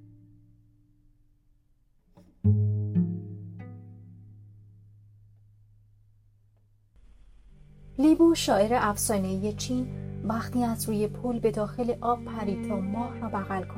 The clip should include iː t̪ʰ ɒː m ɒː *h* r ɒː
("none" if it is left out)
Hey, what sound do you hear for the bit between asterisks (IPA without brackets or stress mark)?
h